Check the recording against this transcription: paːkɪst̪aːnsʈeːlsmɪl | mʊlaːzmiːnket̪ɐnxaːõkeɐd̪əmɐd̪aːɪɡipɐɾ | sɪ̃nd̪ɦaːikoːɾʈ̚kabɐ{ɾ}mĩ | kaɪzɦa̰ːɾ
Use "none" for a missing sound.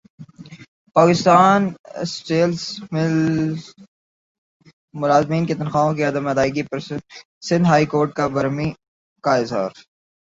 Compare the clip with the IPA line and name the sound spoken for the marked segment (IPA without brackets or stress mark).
ɾ